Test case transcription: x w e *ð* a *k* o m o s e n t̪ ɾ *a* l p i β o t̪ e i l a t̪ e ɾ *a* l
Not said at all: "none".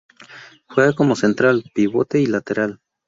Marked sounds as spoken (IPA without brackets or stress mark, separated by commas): ɣ, k, a, a